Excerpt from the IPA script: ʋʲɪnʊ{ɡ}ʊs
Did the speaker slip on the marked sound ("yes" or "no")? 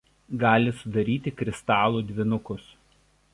yes